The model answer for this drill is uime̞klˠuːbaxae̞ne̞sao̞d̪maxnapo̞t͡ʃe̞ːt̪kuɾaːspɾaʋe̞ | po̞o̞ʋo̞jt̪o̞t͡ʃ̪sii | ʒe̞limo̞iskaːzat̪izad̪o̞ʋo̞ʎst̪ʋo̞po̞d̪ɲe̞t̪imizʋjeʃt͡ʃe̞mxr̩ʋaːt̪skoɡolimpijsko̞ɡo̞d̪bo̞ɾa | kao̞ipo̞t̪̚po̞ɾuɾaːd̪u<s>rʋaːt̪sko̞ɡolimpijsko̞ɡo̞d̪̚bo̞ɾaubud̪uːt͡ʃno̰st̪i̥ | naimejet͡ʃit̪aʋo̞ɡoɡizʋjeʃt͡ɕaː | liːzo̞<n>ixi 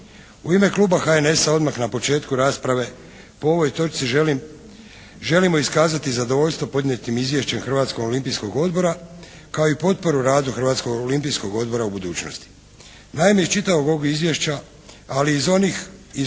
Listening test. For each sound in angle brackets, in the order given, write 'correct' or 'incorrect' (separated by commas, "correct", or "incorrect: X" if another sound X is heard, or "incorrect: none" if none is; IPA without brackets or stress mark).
incorrect: x, correct